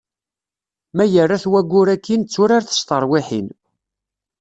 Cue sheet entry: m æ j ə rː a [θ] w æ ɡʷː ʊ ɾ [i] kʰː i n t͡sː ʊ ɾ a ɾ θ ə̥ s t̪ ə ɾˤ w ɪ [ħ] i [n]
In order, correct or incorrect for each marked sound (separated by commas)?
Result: correct, incorrect, correct, correct